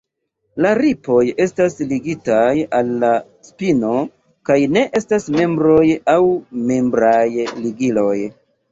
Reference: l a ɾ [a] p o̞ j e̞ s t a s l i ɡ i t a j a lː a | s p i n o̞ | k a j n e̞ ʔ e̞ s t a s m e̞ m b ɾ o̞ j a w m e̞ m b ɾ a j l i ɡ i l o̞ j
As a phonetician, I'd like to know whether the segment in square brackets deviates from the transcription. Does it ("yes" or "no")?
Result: yes